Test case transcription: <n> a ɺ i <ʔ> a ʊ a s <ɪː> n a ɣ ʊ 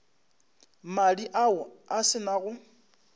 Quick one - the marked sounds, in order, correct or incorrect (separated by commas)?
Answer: incorrect, correct, incorrect